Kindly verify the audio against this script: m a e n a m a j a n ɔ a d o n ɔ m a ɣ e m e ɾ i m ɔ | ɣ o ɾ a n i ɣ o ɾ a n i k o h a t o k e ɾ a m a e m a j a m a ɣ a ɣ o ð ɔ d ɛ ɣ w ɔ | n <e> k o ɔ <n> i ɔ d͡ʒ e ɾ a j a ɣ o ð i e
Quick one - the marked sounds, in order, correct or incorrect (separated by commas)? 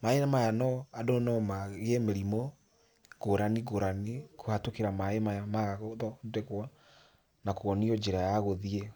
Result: incorrect, correct